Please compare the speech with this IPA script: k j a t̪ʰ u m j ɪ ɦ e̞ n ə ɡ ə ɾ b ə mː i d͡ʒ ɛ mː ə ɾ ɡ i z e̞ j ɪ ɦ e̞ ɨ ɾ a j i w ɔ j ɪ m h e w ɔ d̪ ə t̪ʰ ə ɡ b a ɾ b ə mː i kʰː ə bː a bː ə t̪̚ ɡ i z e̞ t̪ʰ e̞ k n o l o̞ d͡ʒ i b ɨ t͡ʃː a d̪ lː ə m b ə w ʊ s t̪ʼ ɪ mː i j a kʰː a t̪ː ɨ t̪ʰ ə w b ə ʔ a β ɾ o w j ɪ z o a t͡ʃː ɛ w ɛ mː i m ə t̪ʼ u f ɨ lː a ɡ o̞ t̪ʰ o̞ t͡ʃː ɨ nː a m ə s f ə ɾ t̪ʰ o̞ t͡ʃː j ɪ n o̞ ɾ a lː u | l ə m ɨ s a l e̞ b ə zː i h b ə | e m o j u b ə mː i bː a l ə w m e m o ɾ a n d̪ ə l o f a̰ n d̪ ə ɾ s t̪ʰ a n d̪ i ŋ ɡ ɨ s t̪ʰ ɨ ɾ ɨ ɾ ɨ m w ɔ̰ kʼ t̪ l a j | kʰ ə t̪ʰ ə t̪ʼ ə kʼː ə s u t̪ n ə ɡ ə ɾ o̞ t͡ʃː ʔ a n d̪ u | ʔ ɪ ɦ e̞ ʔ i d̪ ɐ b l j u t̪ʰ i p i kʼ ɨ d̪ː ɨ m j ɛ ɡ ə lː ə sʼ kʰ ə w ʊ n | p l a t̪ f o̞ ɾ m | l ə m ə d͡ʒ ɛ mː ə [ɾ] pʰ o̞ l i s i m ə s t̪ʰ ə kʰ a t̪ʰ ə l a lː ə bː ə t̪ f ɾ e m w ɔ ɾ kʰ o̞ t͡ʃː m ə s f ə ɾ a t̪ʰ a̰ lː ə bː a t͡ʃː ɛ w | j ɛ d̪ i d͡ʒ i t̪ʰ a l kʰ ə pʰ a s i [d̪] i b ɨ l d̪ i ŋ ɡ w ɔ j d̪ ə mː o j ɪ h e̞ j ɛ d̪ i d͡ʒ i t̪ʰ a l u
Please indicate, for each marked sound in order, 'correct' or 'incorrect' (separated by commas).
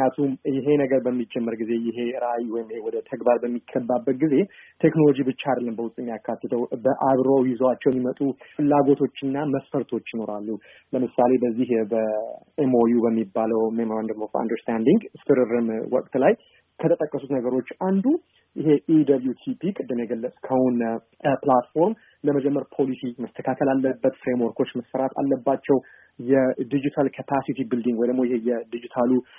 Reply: correct, incorrect